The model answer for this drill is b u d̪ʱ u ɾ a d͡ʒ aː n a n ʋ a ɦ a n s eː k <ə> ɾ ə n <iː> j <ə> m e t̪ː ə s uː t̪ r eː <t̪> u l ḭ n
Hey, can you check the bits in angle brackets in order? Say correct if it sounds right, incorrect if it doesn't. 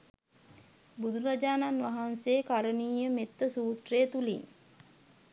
incorrect, correct, correct, correct

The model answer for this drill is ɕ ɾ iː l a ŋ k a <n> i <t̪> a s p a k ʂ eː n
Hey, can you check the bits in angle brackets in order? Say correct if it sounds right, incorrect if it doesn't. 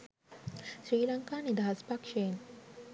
correct, incorrect

